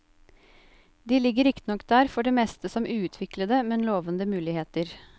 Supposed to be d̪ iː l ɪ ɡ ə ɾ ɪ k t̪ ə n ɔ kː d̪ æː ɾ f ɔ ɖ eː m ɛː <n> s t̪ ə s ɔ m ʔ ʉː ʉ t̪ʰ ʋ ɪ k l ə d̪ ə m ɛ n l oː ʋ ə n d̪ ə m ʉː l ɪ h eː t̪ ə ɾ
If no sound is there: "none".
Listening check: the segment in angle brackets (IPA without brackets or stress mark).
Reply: none